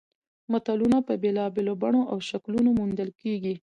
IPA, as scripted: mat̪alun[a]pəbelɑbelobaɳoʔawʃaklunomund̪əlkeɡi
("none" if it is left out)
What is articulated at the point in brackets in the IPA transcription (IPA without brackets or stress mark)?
a